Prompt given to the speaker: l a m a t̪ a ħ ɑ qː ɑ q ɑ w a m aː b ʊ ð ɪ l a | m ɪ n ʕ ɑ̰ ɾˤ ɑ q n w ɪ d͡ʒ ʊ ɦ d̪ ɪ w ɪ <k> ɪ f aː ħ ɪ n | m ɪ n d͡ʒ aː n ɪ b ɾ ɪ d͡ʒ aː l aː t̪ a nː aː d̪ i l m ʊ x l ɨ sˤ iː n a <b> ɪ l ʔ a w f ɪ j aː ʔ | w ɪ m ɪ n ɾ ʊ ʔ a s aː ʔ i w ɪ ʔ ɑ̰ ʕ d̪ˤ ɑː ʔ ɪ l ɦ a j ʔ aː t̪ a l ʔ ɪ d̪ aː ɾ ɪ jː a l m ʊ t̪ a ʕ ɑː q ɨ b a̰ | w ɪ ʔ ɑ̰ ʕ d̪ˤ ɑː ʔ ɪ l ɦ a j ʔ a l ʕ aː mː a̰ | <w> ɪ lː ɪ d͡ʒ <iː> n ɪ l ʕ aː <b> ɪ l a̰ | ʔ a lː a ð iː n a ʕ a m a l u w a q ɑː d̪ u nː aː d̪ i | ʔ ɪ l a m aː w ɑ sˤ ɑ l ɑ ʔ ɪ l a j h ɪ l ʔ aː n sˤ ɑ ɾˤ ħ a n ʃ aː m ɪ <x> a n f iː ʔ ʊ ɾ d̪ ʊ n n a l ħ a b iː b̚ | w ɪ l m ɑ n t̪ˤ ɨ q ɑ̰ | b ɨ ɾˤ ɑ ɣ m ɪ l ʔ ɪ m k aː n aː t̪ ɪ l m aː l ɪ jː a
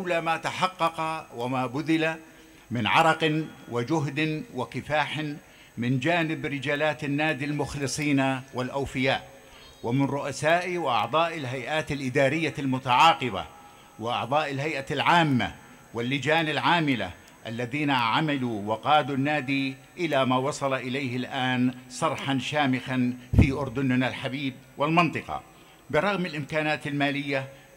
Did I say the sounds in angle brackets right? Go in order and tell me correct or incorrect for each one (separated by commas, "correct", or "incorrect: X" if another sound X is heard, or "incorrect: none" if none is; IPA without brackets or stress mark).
correct, incorrect: w, correct, incorrect: aː, incorrect: m, correct